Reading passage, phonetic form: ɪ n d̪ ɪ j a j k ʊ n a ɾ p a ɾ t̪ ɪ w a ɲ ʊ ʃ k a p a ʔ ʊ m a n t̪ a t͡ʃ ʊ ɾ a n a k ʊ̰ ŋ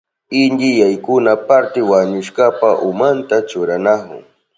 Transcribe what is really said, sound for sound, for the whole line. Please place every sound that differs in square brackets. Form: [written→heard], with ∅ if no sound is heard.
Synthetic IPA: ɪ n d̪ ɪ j a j k ʊ n a [ɾ→∅] p a ɾ t̪ ɪ w a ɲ ʊ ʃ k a p a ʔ ʊ m a n t̪ a t͡ʃ ʊ ɾ a n a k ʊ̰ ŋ